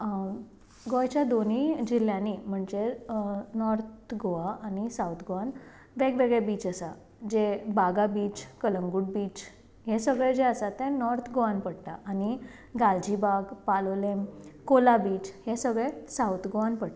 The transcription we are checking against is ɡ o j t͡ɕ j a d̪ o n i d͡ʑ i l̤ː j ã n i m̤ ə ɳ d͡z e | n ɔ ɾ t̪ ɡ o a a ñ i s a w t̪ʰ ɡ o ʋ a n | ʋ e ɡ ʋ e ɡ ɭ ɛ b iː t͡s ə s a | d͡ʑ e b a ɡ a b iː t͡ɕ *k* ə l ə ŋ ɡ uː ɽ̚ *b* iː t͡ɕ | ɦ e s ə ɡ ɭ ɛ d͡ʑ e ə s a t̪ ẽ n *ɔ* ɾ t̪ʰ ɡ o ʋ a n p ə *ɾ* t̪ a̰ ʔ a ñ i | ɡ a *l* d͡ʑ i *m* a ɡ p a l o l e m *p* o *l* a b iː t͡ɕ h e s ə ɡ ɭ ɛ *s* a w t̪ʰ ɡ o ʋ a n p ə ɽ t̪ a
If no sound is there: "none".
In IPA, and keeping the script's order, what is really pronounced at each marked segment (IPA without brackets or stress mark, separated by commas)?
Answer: k, b, ɔ, ɽ, l, b, k, l, s